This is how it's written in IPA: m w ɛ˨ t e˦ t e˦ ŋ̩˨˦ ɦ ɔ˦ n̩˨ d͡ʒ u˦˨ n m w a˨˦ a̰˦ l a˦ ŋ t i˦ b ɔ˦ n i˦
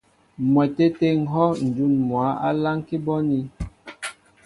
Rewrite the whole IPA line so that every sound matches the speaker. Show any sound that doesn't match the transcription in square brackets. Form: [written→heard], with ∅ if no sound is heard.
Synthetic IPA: m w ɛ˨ t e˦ t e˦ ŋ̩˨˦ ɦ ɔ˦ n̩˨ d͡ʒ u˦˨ n m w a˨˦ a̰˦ l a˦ ŋ [t→k] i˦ b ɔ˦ n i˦